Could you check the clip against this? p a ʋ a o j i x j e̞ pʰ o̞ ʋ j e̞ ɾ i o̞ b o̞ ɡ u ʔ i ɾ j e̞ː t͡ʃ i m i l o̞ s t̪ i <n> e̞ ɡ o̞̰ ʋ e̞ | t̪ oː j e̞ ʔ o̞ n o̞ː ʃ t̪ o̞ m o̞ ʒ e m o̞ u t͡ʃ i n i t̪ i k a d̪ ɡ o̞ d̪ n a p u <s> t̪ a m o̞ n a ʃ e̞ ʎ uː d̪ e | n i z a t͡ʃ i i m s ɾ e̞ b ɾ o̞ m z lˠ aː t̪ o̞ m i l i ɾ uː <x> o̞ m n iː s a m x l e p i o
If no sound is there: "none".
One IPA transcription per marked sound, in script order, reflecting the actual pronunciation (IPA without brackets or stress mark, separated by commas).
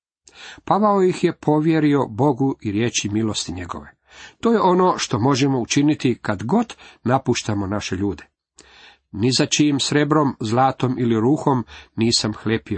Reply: ɲ, ʃ, x